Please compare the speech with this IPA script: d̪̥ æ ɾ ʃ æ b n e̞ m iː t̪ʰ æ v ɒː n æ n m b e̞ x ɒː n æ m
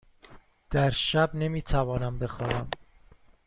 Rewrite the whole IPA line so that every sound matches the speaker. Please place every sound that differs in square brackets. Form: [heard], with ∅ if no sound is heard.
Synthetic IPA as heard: d̪̥ æ ɾ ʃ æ b n e̞ m iː t̪ʰ æ v ɒː n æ [∅] m b e̞ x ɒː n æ m